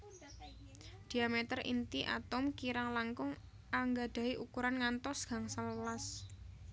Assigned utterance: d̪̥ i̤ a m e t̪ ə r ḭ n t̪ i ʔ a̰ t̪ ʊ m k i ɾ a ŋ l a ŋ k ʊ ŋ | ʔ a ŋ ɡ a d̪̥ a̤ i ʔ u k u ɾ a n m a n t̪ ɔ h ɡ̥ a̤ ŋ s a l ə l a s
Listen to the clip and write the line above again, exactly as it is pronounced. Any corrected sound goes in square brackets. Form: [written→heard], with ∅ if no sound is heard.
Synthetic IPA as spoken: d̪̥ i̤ a m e t̪ ə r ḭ n t̪ i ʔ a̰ t̪ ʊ m k i ɾ a ŋ l a ŋ k ʊ ŋ | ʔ a ŋ ɡ a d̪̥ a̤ i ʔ u k u ɾ a n [m→ŋ] a n t̪ ɔ [h→s] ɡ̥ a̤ ŋ s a l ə l a s

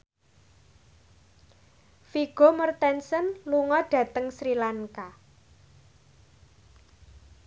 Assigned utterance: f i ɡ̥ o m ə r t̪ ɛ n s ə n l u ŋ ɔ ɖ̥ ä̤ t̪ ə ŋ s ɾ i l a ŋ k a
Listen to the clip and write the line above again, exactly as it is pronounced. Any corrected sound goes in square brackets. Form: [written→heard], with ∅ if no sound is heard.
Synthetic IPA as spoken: f i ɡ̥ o m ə r t̪ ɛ n s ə n l u ŋ ɔ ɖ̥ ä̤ t̪ ə ŋ s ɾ i l a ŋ k a

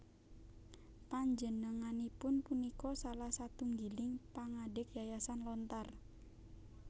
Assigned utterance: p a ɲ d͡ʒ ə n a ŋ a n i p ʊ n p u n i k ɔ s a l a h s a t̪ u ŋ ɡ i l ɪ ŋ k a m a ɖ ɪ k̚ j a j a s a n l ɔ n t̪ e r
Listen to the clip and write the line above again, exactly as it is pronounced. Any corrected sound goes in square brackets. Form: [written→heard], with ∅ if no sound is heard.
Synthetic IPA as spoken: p a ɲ d͡ʒ ə n [a→ə] ŋ a n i p ʊ n p u n i k ɔ s a l a h s a t̪ u ŋ ɡ i l ɪ ŋ [k→p] a [m→ŋ] a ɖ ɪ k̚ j a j a s a n l ɔ n t̪ [e→a] r

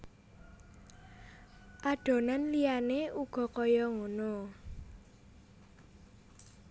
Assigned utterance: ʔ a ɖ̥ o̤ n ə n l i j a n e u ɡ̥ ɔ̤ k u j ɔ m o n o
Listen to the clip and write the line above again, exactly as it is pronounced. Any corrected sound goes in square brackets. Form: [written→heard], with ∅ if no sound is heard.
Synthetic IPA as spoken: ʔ a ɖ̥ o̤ n [ə→a] n l i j a n e u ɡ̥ ɔ̤ k [u→ɔ] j ɔ [m→ŋ] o n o

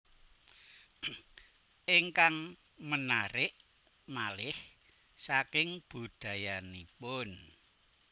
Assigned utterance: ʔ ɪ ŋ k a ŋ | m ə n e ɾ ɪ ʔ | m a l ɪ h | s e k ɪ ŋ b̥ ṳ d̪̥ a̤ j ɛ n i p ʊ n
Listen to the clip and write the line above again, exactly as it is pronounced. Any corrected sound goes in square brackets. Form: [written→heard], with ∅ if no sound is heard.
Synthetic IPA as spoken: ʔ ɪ ŋ k a ŋ | m ə n [e→a] ɾ ɪ ʔ | m a l ɪ h | s [e→a] k ɪ ŋ b̥ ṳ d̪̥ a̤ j [ɛ→a] n i p ʊ n

